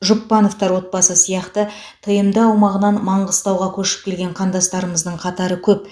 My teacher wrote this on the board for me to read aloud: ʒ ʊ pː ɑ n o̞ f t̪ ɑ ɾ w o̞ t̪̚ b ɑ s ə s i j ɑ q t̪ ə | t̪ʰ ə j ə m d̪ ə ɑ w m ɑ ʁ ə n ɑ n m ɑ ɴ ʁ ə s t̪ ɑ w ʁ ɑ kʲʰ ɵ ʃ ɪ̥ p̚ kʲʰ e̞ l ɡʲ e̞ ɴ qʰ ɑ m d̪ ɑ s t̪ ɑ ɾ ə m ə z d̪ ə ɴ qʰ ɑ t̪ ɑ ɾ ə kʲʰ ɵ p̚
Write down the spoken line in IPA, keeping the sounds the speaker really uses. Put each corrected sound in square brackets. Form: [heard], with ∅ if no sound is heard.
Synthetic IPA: ʒ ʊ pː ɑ n o̞ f t̪ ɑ ɾ w o̞ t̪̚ b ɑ s ə s i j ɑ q t̪ ə | t̪ʰ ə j ə m d̪ ə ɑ w m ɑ ʁ ə n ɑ n m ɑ ɴ ʁ ə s t̪ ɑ w ʁ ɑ kʲʰ ɵ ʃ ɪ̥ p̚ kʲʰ e̞ l ɡʲ e̞ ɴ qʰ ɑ [n] d̪ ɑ s t̪ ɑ ɾ ə m ə z d̪ ə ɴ qʰ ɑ t̪ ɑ ɾ ə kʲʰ ɵ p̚